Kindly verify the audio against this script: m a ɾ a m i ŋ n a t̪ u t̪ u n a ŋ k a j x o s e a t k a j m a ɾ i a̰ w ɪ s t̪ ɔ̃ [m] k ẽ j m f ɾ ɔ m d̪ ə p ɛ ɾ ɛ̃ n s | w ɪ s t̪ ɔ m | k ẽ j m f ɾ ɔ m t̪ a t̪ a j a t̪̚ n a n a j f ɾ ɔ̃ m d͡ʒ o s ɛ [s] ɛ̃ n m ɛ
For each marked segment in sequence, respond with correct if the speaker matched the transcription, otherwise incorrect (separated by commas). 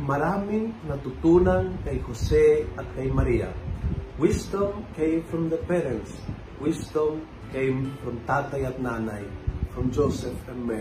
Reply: correct, incorrect